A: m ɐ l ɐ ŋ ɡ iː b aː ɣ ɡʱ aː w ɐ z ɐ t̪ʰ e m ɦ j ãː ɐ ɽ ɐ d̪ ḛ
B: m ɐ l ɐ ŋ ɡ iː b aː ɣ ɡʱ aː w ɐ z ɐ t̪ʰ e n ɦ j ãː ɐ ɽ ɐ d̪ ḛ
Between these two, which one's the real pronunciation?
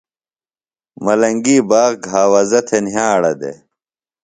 B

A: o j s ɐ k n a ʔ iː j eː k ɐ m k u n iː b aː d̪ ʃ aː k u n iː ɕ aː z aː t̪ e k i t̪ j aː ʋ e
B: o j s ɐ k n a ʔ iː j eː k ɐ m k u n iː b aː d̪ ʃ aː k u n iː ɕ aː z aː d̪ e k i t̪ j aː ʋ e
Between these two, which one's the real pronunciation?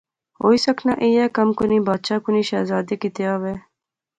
B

